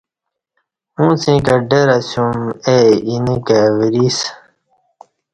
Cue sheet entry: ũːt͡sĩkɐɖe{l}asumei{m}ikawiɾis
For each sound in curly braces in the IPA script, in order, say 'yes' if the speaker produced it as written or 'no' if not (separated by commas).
no, no